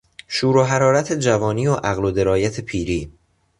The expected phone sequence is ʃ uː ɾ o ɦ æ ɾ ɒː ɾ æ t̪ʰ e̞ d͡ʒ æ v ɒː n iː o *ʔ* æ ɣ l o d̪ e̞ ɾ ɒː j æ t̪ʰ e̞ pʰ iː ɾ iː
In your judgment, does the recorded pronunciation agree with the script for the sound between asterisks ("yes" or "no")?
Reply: yes